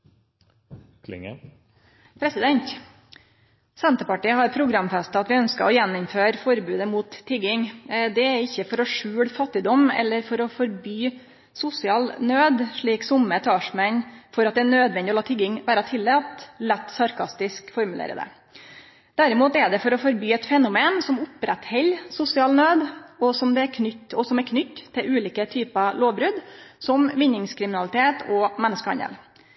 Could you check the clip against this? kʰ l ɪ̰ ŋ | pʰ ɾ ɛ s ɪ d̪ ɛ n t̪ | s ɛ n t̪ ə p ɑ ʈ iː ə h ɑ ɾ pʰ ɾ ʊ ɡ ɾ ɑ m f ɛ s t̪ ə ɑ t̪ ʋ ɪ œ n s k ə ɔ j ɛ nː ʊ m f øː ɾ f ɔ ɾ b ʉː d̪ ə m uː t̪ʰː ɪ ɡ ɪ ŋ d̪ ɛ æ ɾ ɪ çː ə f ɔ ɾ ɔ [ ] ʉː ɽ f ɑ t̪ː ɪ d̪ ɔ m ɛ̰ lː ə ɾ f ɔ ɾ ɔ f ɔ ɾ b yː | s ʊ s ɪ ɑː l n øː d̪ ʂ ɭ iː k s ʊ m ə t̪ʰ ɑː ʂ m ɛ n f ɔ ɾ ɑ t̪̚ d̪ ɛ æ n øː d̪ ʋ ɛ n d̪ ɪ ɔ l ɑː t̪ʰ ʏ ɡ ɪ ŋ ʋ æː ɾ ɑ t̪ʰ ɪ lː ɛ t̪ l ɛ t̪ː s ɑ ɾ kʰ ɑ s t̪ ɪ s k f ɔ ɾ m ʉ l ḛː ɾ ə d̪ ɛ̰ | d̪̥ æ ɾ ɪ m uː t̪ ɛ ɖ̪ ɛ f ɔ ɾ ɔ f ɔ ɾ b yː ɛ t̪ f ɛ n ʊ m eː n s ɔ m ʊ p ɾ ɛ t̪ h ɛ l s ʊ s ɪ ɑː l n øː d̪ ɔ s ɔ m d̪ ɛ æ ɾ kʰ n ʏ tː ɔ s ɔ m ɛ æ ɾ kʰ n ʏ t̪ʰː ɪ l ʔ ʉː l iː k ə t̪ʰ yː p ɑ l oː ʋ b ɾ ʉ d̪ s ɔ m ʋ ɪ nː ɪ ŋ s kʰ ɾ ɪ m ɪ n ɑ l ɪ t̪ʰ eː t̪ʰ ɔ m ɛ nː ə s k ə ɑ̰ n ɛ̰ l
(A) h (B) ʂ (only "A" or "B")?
B